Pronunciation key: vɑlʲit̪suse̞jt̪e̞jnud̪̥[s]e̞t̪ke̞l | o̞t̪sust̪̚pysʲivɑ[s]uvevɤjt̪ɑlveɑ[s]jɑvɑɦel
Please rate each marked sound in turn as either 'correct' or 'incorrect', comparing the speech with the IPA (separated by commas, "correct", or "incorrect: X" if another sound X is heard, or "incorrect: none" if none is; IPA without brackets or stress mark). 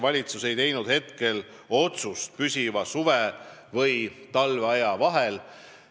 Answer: incorrect: h, correct, incorrect: none